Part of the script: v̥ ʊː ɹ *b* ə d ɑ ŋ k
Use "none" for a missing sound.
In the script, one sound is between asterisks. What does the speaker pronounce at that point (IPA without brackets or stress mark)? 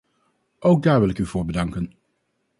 b